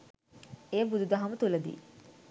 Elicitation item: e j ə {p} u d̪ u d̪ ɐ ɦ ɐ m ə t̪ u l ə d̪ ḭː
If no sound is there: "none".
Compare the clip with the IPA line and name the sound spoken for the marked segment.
b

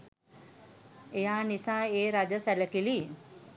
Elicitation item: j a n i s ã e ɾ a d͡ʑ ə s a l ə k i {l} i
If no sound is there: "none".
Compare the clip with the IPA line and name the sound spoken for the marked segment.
l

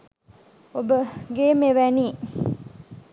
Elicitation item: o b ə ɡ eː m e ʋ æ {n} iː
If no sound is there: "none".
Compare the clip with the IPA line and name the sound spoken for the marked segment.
n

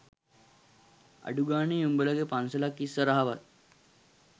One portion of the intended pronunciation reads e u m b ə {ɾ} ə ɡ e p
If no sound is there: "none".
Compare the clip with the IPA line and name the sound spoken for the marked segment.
l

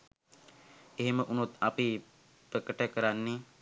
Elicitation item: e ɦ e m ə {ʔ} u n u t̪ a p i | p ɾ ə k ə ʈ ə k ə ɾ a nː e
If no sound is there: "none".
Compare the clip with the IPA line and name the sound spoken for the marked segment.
ʔ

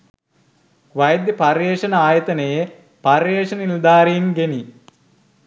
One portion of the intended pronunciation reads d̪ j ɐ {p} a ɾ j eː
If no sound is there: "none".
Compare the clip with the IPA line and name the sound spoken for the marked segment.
p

